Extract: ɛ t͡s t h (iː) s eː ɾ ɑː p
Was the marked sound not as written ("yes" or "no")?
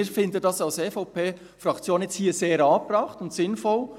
no